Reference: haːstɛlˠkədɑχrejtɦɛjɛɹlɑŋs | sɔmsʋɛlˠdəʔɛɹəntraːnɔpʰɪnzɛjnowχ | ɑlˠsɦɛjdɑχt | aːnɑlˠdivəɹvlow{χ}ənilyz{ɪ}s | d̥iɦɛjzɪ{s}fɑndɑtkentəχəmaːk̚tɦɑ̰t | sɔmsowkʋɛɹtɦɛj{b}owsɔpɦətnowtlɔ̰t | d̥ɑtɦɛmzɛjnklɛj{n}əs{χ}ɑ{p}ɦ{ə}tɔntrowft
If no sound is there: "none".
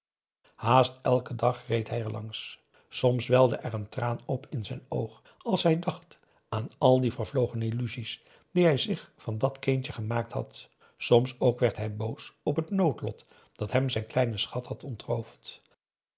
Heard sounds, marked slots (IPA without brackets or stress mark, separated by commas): χ, i, χ, b, n, χ, t, ɑ